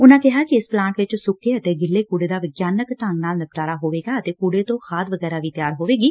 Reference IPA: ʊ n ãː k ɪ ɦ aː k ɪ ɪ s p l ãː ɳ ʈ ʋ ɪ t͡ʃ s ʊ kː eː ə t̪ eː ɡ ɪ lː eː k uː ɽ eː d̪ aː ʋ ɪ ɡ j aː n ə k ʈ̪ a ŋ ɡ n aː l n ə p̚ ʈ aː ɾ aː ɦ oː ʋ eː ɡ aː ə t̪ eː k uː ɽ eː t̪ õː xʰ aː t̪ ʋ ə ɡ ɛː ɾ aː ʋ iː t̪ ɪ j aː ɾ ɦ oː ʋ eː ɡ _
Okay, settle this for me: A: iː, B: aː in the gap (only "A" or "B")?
A